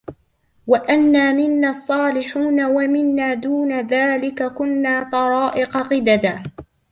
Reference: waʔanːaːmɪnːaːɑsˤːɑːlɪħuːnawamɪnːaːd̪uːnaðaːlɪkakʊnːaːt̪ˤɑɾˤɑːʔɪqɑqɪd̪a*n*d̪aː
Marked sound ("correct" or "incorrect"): incorrect